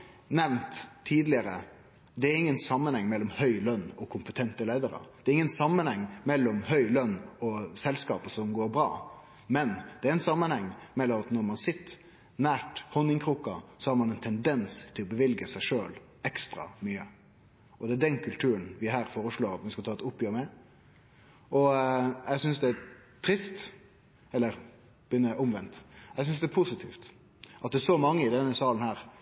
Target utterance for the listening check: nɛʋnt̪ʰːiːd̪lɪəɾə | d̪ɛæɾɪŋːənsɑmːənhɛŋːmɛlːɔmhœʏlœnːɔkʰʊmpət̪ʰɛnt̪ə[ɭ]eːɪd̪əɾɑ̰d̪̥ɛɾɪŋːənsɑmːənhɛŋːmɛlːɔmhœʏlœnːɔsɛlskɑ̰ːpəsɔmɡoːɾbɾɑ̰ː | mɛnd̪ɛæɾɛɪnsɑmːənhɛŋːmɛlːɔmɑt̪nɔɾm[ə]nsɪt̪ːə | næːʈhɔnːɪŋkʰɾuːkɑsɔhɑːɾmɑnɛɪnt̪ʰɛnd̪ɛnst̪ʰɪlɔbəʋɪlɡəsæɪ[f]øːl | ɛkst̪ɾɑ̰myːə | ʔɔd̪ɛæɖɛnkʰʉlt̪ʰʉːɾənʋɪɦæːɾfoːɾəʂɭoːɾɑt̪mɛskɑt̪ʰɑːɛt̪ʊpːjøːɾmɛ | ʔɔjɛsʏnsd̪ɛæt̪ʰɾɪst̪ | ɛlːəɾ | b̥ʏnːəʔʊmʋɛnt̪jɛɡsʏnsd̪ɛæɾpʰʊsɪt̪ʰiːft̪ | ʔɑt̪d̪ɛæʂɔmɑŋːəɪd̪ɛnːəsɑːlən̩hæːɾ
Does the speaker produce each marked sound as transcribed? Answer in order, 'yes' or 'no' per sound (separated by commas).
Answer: no, no, no